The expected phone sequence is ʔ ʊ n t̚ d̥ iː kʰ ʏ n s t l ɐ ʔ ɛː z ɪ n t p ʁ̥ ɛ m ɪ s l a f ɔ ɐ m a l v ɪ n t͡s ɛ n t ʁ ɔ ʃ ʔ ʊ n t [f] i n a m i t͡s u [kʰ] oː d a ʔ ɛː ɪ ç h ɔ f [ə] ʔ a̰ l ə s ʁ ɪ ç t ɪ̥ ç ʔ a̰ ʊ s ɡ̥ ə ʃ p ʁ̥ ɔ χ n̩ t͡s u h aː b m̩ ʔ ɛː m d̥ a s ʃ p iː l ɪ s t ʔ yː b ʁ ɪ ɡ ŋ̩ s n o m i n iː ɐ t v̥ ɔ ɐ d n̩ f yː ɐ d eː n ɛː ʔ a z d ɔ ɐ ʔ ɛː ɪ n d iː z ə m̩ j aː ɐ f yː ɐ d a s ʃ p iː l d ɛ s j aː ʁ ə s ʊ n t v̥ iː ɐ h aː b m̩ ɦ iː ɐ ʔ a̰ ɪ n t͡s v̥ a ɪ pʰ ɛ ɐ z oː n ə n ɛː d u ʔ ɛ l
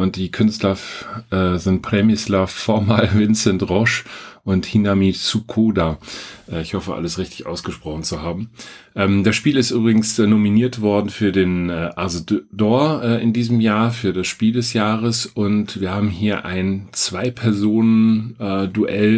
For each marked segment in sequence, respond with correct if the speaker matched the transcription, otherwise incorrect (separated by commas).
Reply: incorrect, correct, correct